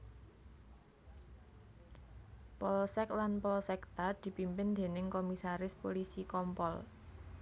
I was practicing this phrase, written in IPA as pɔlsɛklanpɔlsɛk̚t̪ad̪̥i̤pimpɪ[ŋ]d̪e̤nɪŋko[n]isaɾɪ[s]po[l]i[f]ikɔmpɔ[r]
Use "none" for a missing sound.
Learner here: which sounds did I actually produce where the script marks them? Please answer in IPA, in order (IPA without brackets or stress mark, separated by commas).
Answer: n, m, s, l, s, l